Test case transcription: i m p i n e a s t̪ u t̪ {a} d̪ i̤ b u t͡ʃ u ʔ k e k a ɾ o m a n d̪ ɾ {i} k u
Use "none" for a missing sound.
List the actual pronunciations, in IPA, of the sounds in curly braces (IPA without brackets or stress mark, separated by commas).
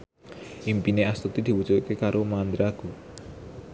i, a